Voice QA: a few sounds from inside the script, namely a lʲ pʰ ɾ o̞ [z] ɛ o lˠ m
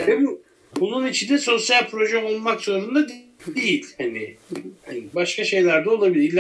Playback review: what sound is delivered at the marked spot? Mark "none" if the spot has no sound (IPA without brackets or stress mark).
ʒ